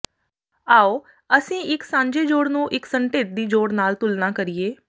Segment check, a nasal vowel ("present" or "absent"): present